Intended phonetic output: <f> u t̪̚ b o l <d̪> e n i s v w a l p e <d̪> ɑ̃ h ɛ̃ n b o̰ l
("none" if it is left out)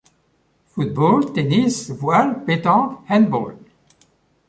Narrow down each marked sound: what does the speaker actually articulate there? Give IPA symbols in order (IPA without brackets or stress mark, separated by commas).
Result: f, t̪, t̪